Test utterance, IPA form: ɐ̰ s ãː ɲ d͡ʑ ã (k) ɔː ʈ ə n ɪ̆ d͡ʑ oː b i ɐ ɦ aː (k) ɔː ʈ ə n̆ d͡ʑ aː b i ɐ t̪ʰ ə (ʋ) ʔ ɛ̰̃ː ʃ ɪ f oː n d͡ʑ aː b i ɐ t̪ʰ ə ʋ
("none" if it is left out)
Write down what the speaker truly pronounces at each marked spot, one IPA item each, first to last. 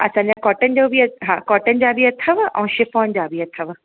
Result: k, k, ʋ

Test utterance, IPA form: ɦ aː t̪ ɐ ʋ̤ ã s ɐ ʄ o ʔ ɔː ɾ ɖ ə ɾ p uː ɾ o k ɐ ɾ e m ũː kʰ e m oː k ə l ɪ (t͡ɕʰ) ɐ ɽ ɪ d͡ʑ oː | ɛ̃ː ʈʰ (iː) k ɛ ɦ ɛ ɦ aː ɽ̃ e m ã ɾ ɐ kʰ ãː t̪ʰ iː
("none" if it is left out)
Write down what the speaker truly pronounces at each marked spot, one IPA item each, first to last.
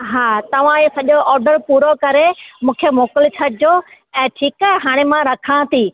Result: t͡ɕʰ, iː

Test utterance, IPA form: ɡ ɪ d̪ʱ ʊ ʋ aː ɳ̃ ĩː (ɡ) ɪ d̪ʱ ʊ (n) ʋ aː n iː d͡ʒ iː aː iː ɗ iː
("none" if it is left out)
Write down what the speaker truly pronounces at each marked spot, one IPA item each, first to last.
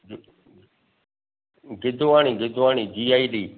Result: ɡ, none

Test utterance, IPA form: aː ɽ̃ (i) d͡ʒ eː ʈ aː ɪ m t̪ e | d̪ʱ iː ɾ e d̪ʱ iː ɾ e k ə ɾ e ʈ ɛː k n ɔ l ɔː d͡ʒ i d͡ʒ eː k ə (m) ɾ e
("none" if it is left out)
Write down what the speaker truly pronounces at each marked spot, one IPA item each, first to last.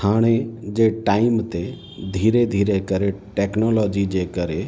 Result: e, none

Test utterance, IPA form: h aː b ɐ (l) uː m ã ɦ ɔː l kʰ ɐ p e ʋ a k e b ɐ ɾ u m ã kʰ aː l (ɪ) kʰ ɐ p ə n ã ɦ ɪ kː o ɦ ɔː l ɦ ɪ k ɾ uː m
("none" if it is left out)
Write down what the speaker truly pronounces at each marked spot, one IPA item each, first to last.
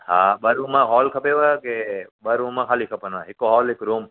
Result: ɾ, i

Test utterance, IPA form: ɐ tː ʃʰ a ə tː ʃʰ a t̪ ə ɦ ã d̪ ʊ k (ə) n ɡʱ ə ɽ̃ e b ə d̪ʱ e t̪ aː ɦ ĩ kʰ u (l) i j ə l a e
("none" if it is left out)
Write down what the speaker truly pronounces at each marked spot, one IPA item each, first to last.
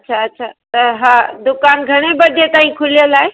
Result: a, l

